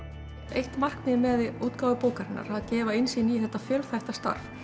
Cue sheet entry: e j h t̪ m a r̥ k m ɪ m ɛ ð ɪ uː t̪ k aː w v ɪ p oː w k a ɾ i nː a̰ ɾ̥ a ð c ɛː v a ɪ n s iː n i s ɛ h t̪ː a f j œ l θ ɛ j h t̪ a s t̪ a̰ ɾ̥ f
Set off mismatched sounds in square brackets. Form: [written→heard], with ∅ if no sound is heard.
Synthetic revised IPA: e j h t̪ m a r̥ k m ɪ m ɛ ð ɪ uː t̪ k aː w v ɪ p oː w k a ɾ [i→ɪ] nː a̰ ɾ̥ a ð c ɛː v a ɪ n s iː n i [s→θ] ɛ h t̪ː a f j œ l θ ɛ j h t̪ a s t̪ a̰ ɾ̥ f